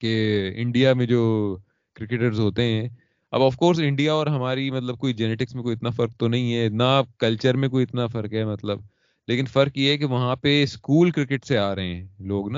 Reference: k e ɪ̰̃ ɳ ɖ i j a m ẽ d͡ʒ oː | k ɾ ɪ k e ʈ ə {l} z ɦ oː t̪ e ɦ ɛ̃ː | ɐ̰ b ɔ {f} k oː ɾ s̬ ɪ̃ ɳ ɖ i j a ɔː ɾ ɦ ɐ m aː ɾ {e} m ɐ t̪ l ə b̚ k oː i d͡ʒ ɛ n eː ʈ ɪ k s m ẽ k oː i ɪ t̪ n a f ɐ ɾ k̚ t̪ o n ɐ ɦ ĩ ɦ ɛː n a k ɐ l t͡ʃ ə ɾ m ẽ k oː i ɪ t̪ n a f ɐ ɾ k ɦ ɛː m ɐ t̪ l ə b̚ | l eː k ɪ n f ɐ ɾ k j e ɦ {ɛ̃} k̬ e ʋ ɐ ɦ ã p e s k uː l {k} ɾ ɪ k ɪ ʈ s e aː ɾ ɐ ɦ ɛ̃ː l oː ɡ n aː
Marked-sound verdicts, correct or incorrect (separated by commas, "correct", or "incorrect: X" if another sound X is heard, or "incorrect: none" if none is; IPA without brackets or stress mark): incorrect: ɾ, correct, incorrect: i, incorrect: ɛ, correct